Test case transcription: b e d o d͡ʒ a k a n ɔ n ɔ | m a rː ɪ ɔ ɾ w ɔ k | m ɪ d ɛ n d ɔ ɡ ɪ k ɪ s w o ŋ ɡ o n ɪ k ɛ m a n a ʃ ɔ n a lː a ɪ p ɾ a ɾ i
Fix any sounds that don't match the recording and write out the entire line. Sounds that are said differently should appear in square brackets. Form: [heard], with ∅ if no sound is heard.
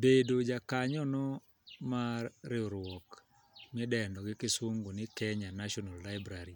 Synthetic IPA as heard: b e d o d͡ʒ a k a [ɲ] ɔ n ɔ | m a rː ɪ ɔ ɾ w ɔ k | m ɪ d ɛ n d ɔ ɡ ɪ k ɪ s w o ŋ ɡ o n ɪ k ɛ [ɲ] a n a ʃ ɔ n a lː a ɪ [b] ɾ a ɾ i